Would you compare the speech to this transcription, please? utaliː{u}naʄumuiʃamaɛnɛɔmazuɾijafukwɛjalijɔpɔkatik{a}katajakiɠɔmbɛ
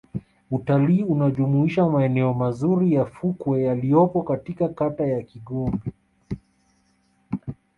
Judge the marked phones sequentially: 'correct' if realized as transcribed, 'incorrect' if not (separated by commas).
correct, correct